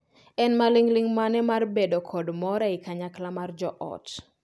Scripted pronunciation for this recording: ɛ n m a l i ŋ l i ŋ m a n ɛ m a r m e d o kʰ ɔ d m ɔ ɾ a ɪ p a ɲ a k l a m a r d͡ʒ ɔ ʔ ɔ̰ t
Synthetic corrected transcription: ɛ n m a l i ŋ l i ŋ m a n ɛ m a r b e d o kʰ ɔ d m ɔ ɾ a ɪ k a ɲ a k l a m a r d͡ʒ ɔ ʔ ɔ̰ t